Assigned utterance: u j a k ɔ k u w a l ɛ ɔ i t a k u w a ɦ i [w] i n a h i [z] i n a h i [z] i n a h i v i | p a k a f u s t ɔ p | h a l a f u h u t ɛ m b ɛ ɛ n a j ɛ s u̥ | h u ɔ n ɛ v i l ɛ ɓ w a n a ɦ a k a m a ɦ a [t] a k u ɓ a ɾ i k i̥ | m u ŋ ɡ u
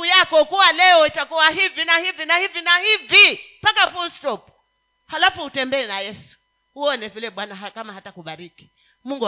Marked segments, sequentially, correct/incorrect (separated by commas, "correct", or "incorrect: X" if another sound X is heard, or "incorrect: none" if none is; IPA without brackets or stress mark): incorrect: v, incorrect: v, incorrect: v, correct